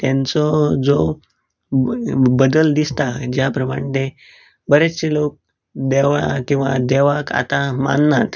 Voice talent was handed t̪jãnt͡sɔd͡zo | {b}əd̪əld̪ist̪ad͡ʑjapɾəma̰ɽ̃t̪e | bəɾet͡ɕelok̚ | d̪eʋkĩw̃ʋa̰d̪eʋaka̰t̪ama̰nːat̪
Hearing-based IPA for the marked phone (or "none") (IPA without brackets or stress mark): b